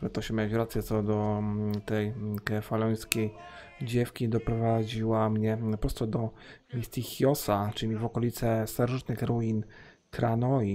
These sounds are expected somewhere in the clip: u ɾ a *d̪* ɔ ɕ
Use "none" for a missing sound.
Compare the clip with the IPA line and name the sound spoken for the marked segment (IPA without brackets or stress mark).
t̪